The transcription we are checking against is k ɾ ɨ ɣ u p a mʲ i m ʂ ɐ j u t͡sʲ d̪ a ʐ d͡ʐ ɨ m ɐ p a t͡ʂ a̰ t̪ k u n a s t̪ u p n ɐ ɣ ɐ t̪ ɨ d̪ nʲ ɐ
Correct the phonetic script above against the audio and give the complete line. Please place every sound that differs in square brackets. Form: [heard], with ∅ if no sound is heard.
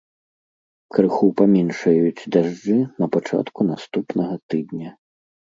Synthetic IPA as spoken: k ɾ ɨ [x] u p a mʲ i [n] ʂ ɐ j u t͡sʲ d̪ a ʐ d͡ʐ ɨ [n] ɐ p a t͡ʂ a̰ t̪ k u n a s t̪ u p n ɐ ɣ ɐ t̪ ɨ d̪ nʲ ɐ